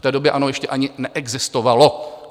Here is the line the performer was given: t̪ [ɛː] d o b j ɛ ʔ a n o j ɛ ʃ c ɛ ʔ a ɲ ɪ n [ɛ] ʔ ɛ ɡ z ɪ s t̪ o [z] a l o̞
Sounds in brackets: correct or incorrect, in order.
correct, correct, incorrect: v

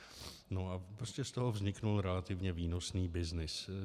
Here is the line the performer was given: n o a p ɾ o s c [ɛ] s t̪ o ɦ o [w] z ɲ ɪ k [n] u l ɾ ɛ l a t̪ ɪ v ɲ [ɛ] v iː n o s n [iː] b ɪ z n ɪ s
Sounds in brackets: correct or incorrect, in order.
correct, incorrect: v, correct, correct, correct

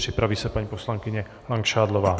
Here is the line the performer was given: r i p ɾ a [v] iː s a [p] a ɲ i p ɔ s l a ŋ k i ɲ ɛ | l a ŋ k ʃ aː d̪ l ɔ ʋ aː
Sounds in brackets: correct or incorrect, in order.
incorrect: ʋ, correct

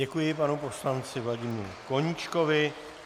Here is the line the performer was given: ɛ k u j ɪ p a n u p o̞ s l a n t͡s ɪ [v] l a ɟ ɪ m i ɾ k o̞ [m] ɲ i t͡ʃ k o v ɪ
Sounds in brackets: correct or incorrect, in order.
correct, incorrect: none

